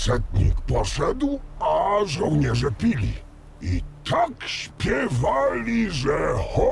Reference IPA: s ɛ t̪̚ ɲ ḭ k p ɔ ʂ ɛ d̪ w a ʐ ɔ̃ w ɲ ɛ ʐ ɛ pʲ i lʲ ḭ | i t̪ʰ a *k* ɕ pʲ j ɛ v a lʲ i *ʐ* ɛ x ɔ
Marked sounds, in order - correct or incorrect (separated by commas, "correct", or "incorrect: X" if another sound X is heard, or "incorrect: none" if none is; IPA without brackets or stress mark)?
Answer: correct, correct